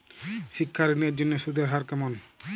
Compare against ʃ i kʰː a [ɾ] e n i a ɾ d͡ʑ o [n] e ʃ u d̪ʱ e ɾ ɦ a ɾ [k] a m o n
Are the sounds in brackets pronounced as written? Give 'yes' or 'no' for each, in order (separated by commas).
yes, no, yes